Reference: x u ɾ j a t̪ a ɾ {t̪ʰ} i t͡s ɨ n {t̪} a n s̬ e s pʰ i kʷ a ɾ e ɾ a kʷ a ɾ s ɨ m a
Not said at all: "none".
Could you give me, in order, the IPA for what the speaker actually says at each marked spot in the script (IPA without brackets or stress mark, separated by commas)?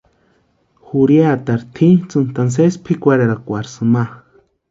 t̪ʰ, t̪